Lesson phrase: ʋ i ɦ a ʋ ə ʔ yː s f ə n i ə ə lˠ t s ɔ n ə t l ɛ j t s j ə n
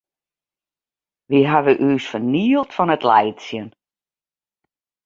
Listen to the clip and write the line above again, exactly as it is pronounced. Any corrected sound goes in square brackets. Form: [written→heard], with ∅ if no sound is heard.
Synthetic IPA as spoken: ʋ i ɦ a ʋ ə ʔ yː s f ə n i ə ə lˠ t [s→f] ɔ n ə t l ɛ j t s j ə n